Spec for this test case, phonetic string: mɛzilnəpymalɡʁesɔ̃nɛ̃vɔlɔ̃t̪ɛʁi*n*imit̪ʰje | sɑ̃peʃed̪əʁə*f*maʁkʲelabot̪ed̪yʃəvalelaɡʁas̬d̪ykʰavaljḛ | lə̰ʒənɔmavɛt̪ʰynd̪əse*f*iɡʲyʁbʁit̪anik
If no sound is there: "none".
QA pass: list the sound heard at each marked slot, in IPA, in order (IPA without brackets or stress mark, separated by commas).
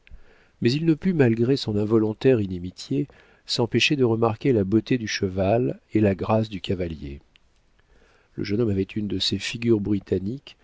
n, none, f